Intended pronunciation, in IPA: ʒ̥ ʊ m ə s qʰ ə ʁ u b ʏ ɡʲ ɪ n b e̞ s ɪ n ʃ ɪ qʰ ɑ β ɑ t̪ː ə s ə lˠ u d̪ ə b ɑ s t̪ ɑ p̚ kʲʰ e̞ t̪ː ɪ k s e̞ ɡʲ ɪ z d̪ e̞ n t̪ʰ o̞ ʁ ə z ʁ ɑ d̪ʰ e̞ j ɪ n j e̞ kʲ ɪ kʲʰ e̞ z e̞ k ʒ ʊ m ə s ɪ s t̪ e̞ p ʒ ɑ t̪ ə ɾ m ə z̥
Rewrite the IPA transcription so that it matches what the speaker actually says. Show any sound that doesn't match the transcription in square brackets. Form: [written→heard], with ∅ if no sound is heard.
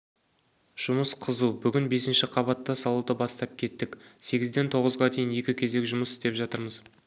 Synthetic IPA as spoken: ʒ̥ ʊ m ə s qʰ ə [ʁ→z] u b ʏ ɡʲ ɪ n b e̞ s ɪ n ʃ ɪ qʰ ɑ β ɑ t̪ː [ə→ɑ] s [ə→ɑ] lˠ u d̪ ə b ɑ s t̪ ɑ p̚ kʲʰ e̞ t̪ː ɪ k s e̞ ɡʲ ɪ z d̪ e̞ n t̪ʰ o̞ ʁ ə z ʁ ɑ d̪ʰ e̞ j ɪ n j e̞ kʲ ɪ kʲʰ e̞ z e̞ k ʒ ʊ m ə s ɪ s t̪ e̞ p ʒ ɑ t̪ ə ɾ m ə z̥